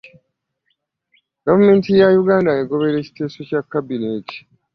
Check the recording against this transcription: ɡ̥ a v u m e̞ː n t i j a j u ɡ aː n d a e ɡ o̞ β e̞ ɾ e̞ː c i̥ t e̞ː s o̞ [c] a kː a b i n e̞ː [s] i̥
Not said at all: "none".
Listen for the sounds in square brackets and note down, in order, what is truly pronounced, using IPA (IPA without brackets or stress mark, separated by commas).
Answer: c, t